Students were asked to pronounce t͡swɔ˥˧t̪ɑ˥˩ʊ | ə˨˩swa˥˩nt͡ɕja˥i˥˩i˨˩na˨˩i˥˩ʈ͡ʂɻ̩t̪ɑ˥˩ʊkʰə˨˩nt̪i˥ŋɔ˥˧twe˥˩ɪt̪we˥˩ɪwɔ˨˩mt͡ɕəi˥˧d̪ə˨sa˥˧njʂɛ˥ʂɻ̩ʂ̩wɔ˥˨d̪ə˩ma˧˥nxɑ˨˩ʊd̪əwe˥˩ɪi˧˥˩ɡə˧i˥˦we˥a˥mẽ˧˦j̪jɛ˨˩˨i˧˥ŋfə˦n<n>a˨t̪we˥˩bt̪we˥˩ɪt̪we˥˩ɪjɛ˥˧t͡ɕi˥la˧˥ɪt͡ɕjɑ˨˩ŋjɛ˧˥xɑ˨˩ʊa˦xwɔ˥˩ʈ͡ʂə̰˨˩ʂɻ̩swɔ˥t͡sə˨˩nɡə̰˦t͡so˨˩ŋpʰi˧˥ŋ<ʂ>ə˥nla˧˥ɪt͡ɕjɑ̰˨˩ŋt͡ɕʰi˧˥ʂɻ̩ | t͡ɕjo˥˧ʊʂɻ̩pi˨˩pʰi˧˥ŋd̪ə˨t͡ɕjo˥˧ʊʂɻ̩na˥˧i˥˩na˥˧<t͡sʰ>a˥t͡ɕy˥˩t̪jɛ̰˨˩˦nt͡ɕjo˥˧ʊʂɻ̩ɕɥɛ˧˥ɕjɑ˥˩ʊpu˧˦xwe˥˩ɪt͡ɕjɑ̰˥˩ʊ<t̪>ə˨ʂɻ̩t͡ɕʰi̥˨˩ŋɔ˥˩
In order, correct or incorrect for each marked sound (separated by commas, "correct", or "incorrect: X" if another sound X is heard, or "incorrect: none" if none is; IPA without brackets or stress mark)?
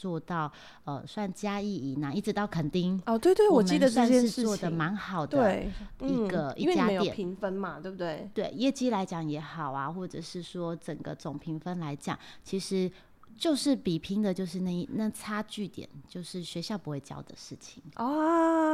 incorrect: m, incorrect: f, correct, incorrect: d̪